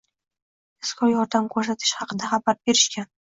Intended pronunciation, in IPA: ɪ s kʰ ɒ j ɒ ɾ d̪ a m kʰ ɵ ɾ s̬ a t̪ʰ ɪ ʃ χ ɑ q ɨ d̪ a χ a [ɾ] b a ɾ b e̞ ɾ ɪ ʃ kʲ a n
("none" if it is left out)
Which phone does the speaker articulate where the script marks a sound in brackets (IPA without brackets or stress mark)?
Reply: none